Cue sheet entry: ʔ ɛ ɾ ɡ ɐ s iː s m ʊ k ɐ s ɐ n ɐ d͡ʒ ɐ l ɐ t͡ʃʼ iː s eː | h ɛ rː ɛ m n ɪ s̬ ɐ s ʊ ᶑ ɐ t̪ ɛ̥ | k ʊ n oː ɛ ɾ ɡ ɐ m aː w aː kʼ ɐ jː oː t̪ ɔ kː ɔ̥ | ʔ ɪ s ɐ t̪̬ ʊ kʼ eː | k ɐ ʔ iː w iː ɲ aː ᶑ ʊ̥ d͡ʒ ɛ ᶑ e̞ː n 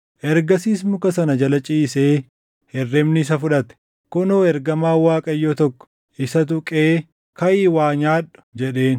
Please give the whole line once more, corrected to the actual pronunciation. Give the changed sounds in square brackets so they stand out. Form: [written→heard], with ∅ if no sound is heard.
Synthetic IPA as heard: ʔ ɛ ɾ ɡ ɐ s iː s m ʊ k ɐ s ɐ n ɐ d͡ʒ ɐ l ɐ t͡ʃʼ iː s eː | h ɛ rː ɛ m n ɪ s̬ ɐ [s→f] ʊ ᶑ ɐ t̪ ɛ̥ | k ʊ n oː ɛ ɾ ɡ ɐ m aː w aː kʼ ɐ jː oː t̪ ɔ kː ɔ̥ | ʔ ɪ s ɐ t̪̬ ʊ kʼ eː | k ɐ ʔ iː w [iː→aː] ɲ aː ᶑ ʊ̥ d͡ʒ ɛ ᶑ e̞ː n